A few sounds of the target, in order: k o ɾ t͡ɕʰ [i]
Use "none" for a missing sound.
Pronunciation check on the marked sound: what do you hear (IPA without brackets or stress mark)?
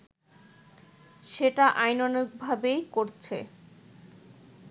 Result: e